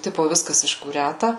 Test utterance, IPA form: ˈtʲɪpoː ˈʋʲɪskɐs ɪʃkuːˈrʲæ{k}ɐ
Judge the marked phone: incorrect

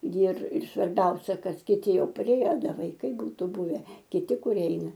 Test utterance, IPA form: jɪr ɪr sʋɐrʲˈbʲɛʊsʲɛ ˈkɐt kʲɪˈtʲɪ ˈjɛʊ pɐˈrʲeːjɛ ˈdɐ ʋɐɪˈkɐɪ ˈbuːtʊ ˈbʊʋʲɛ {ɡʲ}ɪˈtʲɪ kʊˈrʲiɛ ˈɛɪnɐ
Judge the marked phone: incorrect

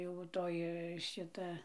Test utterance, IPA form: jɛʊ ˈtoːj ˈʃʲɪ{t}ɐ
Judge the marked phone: correct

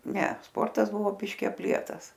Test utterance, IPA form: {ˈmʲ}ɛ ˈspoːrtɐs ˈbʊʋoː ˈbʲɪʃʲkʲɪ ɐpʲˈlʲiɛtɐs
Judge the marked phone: incorrect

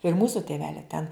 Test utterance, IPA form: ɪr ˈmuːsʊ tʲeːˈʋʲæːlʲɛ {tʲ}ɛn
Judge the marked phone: correct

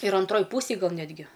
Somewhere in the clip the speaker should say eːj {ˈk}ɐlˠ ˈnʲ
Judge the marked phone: incorrect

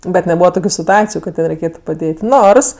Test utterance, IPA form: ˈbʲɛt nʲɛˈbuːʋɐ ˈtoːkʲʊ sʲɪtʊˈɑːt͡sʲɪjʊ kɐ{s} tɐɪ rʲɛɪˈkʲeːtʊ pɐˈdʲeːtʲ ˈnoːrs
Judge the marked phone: incorrect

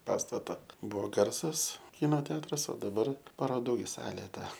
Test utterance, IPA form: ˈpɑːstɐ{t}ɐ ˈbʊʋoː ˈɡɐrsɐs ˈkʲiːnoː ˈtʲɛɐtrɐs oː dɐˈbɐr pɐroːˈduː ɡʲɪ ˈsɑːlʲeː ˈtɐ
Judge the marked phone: correct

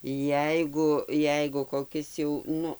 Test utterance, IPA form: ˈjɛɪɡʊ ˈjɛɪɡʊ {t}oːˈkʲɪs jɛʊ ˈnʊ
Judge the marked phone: incorrect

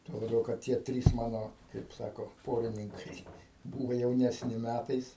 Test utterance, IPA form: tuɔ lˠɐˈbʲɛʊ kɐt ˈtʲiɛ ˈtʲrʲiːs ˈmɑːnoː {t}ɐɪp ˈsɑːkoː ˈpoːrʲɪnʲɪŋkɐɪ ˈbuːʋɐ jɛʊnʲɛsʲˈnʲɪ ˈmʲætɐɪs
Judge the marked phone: incorrect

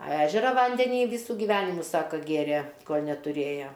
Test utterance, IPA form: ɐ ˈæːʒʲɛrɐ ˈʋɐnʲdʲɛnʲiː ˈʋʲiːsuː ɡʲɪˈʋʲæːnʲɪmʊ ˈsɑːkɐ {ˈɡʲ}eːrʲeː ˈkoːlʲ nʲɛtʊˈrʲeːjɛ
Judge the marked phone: correct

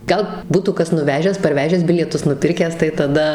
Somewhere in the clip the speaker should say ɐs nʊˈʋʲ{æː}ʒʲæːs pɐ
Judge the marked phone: correct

